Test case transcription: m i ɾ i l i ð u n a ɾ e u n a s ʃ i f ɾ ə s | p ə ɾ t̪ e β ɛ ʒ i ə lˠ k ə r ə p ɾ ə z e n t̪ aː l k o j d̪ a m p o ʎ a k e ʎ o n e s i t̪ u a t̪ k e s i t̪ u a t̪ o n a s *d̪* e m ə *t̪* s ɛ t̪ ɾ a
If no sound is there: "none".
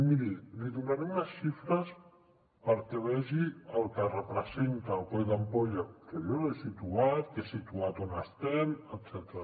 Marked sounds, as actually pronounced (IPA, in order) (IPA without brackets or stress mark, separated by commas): t̪, t̪